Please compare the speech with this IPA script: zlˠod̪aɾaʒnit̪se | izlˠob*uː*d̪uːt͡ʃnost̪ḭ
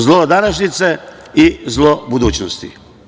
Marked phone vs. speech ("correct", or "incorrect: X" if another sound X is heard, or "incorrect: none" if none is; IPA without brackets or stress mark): incorrect: u